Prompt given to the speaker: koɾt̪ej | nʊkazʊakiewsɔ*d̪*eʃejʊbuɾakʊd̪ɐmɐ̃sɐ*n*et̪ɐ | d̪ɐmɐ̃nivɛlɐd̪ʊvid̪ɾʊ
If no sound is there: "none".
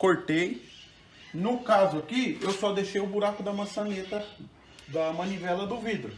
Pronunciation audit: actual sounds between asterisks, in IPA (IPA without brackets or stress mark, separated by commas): d̪, n